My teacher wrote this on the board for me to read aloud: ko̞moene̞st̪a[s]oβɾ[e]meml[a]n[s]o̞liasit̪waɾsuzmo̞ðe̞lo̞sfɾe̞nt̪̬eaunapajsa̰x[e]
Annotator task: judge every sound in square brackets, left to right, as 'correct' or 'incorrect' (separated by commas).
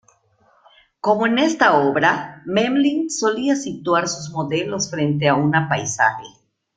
incorrect, incorrect, incorrect, correct, correct